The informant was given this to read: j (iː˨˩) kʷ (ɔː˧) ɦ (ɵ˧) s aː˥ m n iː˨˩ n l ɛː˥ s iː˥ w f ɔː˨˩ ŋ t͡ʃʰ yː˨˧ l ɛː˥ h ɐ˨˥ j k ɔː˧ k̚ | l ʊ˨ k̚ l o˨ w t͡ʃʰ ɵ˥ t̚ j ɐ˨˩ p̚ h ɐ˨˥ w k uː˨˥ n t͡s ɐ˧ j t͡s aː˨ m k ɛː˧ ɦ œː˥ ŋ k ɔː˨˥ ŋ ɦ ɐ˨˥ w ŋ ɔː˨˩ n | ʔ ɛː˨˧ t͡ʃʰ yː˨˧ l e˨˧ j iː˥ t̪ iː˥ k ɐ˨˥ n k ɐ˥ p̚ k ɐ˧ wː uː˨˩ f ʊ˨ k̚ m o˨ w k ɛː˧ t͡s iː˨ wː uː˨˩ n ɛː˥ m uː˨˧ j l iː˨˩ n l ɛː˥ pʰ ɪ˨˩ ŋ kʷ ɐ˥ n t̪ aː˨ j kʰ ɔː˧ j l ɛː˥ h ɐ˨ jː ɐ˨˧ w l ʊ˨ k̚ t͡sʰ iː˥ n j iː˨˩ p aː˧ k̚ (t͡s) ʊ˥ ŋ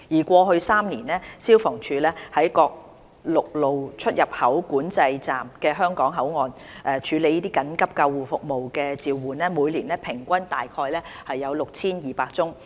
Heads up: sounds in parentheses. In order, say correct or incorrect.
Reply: correct, correct, correct, correct

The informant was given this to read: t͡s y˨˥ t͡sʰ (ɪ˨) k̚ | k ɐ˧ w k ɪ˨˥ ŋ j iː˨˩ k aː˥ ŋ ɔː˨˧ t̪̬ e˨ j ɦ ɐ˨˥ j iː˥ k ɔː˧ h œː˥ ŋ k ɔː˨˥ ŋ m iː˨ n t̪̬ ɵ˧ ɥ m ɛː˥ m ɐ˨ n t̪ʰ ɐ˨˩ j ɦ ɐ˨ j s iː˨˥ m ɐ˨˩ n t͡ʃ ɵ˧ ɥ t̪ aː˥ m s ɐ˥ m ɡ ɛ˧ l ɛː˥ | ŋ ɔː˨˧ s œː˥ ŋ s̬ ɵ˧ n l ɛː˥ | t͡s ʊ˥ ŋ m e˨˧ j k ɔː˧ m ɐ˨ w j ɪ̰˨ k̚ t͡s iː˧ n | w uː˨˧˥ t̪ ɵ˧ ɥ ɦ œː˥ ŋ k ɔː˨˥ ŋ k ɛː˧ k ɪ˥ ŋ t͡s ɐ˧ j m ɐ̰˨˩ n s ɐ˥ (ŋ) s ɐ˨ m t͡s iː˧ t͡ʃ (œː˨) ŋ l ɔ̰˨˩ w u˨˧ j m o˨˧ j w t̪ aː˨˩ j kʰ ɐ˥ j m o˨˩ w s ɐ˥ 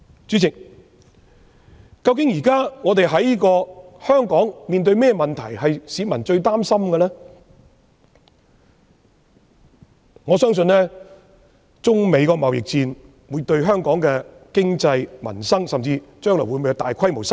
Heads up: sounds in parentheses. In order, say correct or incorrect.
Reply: correct, correct, incorrect: œː˥

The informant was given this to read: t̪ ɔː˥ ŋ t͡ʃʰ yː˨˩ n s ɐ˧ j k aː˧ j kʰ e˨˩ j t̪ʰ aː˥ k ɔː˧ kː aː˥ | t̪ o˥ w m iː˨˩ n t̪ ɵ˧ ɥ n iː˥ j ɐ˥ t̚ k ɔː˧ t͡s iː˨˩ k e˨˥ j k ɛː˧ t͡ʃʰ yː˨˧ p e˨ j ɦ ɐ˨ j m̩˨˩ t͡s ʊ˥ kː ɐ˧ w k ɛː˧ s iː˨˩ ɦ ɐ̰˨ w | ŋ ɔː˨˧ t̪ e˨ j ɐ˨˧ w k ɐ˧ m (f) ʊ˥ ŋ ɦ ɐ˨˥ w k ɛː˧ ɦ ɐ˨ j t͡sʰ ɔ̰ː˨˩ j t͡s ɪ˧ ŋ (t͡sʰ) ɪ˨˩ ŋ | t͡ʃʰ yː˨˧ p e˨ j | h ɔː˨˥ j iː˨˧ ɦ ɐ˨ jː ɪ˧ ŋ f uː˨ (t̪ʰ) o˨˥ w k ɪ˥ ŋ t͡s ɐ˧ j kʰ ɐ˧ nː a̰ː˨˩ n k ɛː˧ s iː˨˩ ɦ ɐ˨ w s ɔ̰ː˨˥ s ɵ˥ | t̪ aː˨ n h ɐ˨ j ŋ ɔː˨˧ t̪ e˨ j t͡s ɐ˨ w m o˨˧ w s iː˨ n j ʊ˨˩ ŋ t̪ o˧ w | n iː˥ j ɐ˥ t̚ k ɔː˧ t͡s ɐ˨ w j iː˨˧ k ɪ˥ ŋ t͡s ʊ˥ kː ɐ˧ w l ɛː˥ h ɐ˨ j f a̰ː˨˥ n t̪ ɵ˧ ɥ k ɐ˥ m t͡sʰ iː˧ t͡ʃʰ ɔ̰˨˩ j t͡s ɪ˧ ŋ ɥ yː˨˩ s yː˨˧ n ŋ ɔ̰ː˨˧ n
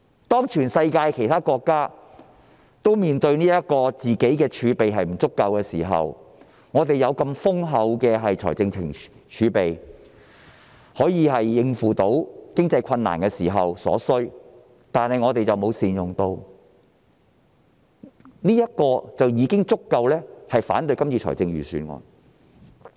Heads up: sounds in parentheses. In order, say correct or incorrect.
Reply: correct, correct, incorrect: t̪

